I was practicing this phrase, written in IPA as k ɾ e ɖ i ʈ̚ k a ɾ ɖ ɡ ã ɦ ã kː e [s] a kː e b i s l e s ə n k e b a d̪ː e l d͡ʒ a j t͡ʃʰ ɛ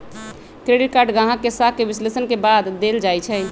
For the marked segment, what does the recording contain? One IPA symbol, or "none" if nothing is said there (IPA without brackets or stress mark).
s